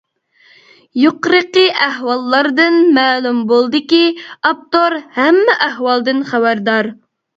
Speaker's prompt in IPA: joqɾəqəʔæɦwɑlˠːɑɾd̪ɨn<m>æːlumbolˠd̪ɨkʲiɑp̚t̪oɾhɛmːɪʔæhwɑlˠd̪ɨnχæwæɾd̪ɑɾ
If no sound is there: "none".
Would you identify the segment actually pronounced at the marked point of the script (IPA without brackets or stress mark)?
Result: m